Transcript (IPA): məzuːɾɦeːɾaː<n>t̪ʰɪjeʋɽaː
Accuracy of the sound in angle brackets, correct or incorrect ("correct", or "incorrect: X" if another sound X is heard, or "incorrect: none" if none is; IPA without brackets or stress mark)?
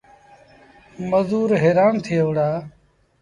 correct